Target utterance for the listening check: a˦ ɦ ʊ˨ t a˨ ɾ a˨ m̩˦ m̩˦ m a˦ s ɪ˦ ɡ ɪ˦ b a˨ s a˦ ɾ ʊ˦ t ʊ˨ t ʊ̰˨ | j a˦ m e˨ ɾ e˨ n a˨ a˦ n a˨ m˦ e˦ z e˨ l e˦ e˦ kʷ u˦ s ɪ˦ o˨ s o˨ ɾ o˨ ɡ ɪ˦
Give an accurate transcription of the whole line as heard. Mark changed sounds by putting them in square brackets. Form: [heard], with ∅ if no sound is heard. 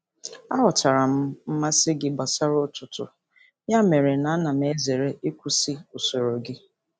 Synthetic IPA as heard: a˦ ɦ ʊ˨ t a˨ ɾ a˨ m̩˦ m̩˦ m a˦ s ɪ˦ ɡ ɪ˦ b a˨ s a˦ ɾ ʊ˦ t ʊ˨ t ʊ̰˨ | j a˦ m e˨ ɾ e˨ n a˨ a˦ n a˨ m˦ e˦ z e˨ [ɾ] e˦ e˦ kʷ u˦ s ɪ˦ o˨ s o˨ ɾ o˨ ɡ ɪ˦